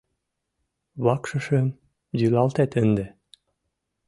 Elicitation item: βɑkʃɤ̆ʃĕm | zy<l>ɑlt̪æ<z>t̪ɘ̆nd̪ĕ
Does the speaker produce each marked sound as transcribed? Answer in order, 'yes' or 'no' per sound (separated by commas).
yes, no